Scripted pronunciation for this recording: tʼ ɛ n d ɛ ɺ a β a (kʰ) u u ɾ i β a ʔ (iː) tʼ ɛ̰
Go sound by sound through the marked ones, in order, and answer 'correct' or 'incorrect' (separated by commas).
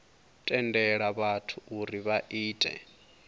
incorrect, correct